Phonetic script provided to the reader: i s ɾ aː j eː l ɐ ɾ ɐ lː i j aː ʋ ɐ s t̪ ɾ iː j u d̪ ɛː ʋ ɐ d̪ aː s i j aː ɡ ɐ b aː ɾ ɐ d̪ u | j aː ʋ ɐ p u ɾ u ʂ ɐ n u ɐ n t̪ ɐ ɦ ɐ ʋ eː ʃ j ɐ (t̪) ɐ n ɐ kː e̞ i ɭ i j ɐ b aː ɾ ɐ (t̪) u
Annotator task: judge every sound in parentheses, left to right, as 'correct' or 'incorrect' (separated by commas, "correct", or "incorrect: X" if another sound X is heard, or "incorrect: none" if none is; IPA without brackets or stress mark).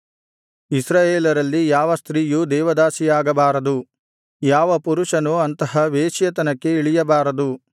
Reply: correct, incorrect: d̪